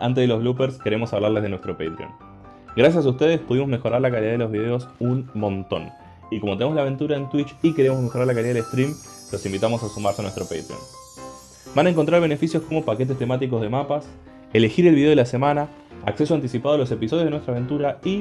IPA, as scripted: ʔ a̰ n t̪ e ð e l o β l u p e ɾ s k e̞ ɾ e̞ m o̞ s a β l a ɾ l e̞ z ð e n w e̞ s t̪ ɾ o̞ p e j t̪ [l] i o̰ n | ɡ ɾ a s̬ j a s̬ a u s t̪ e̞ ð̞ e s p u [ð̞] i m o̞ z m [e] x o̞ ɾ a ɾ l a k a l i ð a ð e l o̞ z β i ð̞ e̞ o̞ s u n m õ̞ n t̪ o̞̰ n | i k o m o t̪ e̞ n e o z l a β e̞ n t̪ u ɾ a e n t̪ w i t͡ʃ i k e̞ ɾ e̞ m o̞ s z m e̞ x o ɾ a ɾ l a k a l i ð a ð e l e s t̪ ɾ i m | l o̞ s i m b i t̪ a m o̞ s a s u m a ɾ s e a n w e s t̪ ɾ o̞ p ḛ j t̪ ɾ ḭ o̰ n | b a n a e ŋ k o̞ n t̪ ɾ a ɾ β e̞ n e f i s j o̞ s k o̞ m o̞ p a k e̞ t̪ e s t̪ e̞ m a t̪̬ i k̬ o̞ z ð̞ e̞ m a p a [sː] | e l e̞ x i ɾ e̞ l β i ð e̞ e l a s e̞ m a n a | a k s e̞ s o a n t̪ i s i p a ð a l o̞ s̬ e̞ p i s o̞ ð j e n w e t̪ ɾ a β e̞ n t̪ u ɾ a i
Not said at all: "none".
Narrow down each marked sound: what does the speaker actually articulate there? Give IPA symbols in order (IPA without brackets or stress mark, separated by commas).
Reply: ɾ, ð̞, e, s